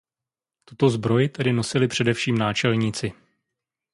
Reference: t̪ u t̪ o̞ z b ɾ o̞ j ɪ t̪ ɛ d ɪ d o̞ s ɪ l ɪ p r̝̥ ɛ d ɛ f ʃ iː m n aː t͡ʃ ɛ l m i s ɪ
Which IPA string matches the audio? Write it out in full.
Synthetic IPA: t̪ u t̪ o̞ z b ɾ o̞ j ɪ t̪ ɛ d ɪ n o̞ s ɪ l ɪ p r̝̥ ɛ d ɛ f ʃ iː m n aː t͡ʃ ɛ l ɲ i t͡s ɪ